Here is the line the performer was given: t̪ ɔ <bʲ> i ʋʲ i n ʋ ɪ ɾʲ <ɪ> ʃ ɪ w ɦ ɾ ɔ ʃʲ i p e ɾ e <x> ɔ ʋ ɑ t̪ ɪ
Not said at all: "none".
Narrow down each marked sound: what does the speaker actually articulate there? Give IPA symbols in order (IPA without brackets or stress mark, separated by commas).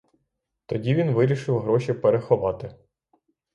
dʲ, i, x